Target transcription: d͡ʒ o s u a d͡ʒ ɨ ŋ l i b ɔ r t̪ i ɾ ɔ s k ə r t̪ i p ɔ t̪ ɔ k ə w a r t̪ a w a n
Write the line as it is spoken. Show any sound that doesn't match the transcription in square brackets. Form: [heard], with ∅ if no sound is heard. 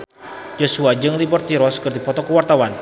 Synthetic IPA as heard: d͡ʒ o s u a d͡ʒ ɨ ŋ l i b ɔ r t̪ i ɾ ɔ s k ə r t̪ i p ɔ t̪ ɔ k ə w a r t̪ a w a n

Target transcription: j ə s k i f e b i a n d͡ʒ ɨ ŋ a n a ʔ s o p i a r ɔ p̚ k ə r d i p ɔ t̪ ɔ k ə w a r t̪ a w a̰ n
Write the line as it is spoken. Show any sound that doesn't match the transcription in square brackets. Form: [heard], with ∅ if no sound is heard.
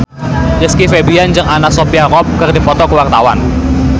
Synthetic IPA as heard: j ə s k i f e b i a n d͡ʒ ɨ ŋ a n a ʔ s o p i a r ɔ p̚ k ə r d i p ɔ t̪ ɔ k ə w a r t̪ a w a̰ n

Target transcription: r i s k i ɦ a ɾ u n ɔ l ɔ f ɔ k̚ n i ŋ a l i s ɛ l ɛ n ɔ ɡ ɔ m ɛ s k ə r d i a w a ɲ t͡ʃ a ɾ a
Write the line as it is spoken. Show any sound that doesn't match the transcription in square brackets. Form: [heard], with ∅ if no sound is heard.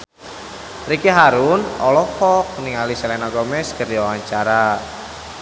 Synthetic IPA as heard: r i [∅] k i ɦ a ɾ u n ɔ l ɔ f ɔ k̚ n i ŋ a l i s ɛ l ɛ n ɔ ɡ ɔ m ɛ s k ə r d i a w a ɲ t͡ʃ a ɾ a

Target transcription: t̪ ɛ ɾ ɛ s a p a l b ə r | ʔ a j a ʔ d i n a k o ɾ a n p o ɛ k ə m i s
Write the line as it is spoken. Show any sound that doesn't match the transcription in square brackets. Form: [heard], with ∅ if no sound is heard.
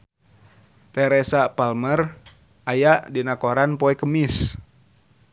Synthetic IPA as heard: t̪ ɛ ɾ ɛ s a p a l [m] ə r | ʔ a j a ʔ d i n a k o ɾ a n p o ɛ k ə m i s

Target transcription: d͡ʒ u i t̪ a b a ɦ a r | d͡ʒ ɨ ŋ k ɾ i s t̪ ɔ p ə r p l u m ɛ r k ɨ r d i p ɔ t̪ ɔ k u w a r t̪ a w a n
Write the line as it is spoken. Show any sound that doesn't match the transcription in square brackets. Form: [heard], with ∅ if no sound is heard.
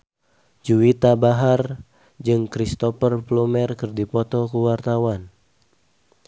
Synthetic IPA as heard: d͡ʒ u i t̪ a b a ɦ a r | d͡ʒ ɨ ŋ k ɾ i s t̪ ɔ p ə r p l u m ɛ r k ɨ r d i p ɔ t̪ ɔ k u w a r t̪ a w a n

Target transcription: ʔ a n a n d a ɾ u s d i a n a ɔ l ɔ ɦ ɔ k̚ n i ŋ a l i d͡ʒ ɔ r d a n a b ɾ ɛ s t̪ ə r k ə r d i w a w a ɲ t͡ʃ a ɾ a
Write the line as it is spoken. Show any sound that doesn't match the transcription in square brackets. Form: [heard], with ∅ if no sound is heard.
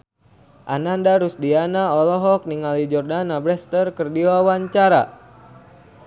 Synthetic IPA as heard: ʔ a n a n d a ɾ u s d i a n a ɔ l ɔ ɦ ɔ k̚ n i ŋ a l i d͡ʒ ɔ r d a n a b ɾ ɛ s t̪ ə r k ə r d i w a w a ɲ t͡ʃ a ɾ a

